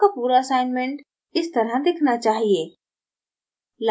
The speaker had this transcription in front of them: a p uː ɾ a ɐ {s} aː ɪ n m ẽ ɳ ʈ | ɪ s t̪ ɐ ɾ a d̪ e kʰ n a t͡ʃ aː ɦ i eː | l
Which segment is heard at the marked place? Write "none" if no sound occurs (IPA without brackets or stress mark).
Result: s